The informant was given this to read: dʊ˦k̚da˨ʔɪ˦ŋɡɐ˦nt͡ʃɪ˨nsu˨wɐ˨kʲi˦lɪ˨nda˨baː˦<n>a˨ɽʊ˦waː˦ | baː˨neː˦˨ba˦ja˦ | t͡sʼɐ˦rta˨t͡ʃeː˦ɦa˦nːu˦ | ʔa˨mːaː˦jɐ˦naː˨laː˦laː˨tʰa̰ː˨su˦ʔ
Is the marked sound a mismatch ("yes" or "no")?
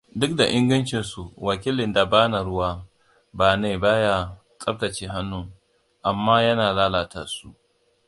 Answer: no